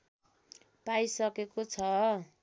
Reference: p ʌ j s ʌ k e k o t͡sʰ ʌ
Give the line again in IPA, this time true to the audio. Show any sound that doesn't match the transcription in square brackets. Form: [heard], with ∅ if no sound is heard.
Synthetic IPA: p [a] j s ʌ k e k o t͡sʰ ʌ